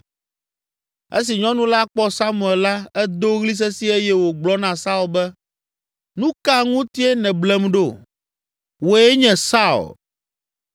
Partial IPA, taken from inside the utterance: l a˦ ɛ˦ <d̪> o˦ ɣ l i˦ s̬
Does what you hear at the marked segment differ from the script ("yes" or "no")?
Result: no